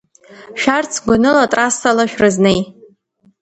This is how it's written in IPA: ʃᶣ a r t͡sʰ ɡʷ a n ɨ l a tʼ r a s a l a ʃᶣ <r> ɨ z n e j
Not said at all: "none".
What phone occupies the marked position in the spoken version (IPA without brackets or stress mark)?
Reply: r